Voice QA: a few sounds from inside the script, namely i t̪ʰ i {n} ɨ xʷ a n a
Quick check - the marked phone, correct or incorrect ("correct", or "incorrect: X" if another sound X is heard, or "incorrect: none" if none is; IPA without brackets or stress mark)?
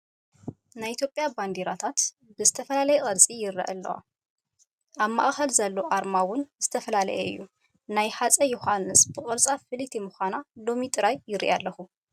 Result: incorrect: m